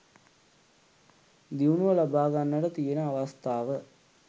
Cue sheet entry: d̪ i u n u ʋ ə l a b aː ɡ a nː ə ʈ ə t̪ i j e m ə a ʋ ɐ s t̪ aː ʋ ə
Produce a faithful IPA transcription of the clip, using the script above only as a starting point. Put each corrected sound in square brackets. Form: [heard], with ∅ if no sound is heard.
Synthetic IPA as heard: d̪ i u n u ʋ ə l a b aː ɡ a nː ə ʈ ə t̪ i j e [n] ə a ʋ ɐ s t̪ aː ʋ ə